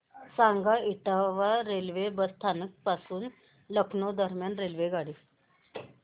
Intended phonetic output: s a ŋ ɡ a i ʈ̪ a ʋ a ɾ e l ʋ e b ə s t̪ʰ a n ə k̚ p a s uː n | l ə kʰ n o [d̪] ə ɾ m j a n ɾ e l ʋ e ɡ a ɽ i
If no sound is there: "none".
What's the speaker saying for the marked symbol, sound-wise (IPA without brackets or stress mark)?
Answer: d̪